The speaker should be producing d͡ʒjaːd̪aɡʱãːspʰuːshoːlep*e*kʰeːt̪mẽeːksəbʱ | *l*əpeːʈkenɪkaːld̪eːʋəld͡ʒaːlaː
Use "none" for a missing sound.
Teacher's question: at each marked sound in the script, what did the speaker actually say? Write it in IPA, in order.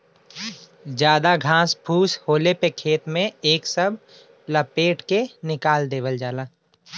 e, l

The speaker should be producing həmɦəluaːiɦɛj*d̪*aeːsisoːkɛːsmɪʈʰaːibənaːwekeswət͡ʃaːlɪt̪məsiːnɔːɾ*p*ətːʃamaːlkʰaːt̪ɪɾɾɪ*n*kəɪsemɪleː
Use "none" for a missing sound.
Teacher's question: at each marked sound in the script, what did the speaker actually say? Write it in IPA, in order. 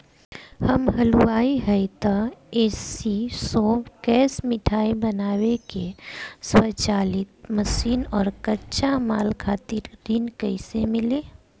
t̪, k, n

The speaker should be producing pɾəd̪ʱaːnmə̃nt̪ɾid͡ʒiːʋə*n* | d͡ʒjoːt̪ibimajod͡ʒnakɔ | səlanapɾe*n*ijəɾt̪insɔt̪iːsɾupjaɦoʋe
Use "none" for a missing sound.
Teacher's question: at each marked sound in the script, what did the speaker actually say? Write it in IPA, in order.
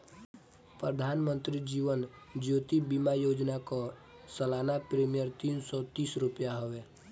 n, m

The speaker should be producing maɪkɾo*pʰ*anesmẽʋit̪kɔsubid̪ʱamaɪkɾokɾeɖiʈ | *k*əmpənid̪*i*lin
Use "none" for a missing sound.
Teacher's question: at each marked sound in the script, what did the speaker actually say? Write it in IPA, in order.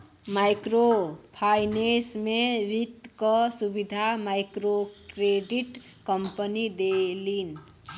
pʰ, k, e

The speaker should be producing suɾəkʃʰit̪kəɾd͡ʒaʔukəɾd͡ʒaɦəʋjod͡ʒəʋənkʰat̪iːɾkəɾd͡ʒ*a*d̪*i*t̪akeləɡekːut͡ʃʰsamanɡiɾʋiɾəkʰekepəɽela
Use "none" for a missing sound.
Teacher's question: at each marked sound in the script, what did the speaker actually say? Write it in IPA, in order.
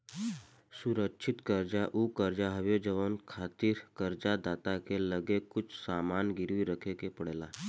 a, a

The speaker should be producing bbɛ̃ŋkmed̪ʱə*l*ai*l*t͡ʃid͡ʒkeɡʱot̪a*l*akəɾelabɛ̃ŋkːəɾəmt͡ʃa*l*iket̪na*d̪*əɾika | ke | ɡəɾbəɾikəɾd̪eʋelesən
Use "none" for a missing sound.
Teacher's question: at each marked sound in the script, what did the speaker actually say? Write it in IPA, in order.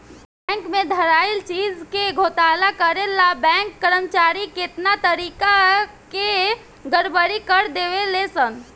ɾ, l, l, ɾ, t̪

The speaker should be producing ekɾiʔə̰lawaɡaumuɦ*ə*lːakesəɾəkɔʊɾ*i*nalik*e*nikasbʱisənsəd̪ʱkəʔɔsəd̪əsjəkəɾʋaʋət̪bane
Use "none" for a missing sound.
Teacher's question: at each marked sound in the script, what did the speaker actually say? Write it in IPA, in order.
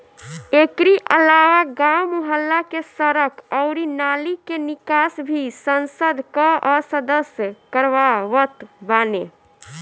ə, i, e

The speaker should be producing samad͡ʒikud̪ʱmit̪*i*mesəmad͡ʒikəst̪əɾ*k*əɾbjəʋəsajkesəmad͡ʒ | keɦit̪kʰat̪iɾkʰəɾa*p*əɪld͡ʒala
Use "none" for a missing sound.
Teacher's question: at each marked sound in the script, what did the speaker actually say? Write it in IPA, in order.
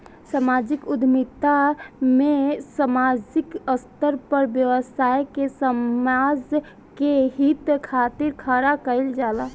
a, p, k

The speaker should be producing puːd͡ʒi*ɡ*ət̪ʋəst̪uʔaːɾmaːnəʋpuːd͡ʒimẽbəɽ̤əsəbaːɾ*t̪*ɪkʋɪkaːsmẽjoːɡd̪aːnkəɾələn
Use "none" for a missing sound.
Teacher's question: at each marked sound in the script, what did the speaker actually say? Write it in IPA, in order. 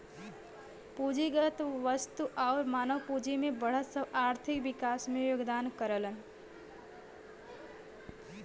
ɡ, t̪ʰ

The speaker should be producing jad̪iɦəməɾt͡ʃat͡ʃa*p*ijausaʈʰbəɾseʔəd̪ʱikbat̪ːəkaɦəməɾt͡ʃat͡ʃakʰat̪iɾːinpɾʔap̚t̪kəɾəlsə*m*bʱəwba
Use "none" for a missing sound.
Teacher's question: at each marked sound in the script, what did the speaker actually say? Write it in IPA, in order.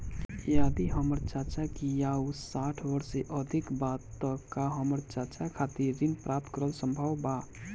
k, m

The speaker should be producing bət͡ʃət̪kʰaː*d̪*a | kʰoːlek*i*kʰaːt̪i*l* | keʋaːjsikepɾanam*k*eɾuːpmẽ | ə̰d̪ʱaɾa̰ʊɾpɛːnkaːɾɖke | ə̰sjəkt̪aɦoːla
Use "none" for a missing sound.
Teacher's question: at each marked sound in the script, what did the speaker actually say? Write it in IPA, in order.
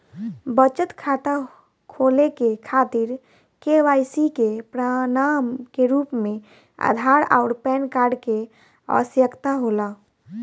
t̪, e, ɾ, k

